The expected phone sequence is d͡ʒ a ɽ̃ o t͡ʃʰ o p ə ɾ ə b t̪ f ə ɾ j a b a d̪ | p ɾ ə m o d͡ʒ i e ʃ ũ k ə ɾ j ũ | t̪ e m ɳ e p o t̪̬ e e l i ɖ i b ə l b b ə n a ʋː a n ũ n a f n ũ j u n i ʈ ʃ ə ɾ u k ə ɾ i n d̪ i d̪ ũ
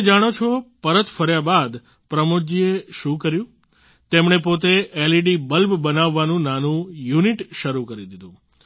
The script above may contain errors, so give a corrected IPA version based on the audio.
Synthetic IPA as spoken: d͡ʒ a ɽ̃ o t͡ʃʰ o p ə ɾ ə t̪ f ə ɾ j a b a d̪ | p ɾ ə m o d͡ʒ i e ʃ ũ k ə ɾ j ũ | t̪ e m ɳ e p o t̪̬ e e l i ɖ i b ə l b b ə n a ʋː a n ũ n a n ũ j u n i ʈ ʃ ə ɾ u k ə ɾ i d̪ i d̪ ũ